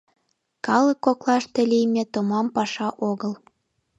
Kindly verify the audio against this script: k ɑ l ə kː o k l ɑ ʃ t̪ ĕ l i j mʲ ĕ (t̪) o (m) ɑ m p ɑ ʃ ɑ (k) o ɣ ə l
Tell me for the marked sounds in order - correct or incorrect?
correct, correct, incorrect: ʔ

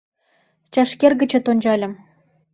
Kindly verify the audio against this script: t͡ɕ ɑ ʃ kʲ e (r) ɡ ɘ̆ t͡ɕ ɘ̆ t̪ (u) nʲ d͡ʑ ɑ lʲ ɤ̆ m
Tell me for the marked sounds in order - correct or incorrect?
correct, incorrect: o

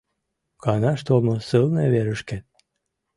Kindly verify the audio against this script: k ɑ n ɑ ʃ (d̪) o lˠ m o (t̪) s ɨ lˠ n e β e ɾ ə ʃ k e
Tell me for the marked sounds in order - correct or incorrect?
incorrect: t̪, incorrect: none

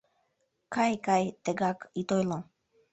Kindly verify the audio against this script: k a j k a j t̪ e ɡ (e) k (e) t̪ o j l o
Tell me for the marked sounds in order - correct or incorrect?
incorrect: a, incorrect: i

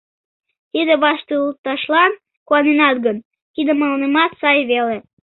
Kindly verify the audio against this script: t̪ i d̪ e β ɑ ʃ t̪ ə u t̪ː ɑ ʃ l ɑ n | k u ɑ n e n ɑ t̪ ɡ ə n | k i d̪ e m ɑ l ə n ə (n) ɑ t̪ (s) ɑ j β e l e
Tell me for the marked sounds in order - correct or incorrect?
incorrect: m, correct

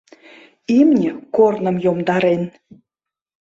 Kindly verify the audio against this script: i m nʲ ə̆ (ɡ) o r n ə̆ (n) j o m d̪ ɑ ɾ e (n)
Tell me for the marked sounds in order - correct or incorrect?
incorrect: k, incorrect: m, correct

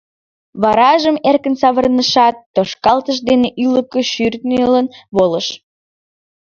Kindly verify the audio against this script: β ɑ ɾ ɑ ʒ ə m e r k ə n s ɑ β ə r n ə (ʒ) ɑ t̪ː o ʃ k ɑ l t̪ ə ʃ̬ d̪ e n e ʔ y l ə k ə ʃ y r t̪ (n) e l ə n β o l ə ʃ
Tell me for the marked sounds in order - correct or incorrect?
incorrect: ʃ, correct

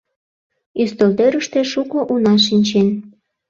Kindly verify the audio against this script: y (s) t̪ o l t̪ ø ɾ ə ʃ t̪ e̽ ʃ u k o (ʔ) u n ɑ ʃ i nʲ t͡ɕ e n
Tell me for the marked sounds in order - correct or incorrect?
correct, correct

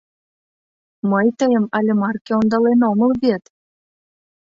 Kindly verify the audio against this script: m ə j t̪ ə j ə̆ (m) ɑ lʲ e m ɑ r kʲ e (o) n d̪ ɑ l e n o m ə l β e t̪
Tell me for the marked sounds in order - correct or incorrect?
correct, correct

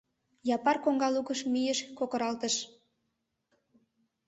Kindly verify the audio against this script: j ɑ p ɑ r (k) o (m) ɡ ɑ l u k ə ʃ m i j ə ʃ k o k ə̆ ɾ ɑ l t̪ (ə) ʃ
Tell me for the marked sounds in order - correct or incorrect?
correct, incorrect: ŋ, correct

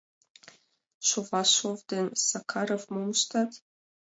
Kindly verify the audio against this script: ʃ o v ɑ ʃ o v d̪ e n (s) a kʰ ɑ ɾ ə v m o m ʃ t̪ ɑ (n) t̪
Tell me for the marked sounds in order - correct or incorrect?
correct, incorrect: none

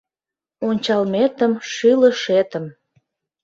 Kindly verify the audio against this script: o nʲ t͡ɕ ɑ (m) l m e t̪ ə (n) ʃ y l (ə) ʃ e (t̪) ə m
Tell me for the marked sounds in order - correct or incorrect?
incorrect: none, incorrect: m, correct, correct

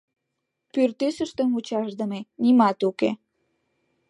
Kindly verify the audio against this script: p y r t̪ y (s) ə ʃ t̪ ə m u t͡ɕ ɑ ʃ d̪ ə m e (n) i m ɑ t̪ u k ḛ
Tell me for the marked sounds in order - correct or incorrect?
correct, correct

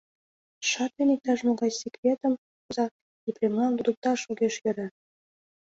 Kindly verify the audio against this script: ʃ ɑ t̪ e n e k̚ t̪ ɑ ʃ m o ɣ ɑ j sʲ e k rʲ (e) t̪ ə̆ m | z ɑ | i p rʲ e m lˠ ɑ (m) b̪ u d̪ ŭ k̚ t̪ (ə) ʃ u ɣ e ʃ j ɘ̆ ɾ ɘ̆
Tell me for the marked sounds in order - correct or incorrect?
correct, incorrect: n, incorrect: ɑ

